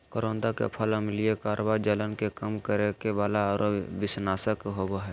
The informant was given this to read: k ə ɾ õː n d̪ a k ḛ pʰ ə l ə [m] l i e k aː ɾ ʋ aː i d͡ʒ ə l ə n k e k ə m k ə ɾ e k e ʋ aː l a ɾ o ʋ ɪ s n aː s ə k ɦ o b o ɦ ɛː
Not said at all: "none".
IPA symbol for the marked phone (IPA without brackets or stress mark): m